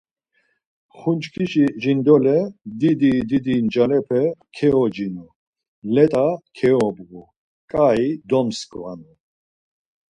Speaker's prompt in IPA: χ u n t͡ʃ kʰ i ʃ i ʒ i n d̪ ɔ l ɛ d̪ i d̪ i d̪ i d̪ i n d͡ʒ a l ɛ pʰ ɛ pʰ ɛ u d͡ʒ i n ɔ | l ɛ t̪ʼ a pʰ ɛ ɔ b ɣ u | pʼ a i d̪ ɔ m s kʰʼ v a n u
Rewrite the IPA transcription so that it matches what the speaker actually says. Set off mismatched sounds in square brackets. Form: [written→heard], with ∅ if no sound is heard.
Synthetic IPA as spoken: χ u n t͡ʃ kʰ i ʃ i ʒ i n d̪ ɔ l ɛ d̪ i d̪ i d̪ i d̪ i n d͡ʒ a l ɛ pʰ ɛ [pʰ→kʰ] ɛ [u→ɔ] d͡ʒ i n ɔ | l ɛ t̪ʼ a [pʰ→kʰ] ɛ ɔ b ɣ u | [pʼ→kʼ] a i d̪ ɔ m s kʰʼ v a n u